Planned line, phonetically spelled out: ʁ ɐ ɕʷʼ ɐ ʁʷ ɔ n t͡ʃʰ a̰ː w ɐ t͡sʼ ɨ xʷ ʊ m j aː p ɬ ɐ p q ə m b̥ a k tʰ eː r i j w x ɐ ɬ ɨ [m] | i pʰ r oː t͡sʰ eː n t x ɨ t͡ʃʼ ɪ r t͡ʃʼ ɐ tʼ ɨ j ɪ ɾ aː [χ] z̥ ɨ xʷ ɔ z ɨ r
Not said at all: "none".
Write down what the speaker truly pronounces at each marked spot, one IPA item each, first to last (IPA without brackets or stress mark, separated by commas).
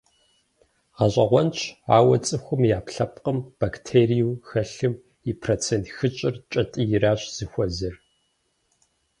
m, ɕ